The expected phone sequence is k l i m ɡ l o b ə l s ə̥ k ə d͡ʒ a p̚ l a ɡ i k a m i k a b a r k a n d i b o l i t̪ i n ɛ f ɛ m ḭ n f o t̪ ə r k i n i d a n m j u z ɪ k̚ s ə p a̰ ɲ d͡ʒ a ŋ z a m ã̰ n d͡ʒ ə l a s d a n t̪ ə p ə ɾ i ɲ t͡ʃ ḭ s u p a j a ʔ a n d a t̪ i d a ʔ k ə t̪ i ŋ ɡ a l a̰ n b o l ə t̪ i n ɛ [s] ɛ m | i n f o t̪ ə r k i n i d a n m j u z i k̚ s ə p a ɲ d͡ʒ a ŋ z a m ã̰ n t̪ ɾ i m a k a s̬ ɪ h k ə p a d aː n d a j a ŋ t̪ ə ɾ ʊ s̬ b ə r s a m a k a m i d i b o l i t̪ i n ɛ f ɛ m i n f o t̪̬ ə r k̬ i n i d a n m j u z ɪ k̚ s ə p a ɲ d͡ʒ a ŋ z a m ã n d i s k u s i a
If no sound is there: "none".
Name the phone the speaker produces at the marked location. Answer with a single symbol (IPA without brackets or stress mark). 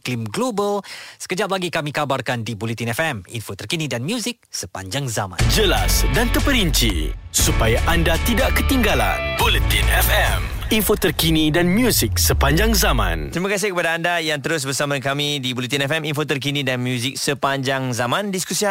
f